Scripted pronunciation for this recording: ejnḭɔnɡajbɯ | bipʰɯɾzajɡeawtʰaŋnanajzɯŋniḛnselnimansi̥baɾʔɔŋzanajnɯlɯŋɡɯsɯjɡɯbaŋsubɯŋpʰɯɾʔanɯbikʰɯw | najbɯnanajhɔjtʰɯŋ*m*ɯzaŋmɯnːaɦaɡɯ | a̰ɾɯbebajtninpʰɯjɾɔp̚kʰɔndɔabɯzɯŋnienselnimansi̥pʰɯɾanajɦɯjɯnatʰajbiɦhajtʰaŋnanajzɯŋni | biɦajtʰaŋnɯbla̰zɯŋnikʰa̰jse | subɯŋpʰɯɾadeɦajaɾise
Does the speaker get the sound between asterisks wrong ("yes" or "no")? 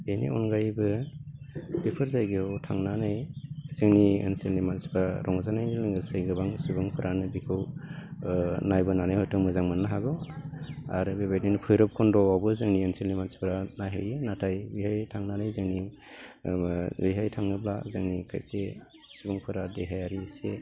no